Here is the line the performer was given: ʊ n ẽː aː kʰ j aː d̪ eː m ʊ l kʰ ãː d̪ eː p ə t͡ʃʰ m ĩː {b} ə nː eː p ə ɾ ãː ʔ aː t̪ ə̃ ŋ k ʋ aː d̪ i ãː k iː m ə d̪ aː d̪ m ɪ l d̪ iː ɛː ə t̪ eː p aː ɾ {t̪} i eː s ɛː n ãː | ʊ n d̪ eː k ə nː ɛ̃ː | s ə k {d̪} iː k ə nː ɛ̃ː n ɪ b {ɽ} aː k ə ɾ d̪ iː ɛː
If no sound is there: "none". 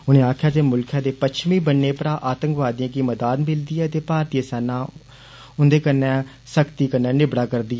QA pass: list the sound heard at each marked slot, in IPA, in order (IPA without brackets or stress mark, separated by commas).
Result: b, t̪, t̪, ɽ